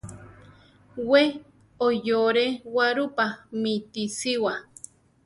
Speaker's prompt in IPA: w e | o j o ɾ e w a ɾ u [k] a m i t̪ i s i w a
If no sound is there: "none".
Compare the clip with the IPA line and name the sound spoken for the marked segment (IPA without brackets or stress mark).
p